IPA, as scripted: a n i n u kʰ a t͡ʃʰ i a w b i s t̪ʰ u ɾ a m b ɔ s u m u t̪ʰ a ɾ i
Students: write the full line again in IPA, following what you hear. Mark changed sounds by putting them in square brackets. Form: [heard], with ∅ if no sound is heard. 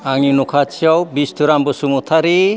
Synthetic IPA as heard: a [ŋ] i n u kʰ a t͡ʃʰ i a w b i s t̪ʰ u ɾ a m b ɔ s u m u t̪ʰ a ɾ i